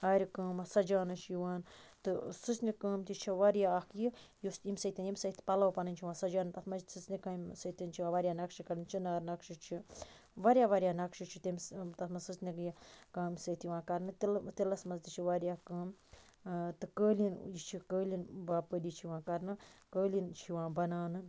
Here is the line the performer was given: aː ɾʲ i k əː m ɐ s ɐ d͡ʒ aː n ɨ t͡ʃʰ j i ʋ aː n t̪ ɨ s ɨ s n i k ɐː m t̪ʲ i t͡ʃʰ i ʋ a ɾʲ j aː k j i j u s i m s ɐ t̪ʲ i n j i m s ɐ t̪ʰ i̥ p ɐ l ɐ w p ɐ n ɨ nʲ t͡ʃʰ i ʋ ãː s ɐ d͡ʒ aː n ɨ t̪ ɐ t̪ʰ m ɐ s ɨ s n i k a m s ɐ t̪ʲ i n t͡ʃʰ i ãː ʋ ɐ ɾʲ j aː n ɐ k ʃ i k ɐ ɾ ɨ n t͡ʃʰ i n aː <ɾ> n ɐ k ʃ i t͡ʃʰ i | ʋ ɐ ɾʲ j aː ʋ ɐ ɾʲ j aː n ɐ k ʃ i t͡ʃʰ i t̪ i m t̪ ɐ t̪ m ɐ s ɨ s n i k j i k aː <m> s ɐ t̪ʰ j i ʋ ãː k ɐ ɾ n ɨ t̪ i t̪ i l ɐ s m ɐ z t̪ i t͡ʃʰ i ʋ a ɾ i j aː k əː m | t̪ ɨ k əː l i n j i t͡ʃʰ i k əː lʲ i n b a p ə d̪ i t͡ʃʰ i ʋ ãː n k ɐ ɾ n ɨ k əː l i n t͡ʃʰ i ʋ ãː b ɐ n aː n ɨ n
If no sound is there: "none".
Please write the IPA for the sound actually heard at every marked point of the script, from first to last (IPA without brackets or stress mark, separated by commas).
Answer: ɾ, m